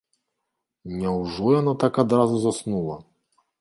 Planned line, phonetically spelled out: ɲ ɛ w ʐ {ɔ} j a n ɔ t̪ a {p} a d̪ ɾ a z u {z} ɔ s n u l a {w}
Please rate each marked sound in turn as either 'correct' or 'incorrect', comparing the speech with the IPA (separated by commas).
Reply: incorrect, incorrect, correct, incorrect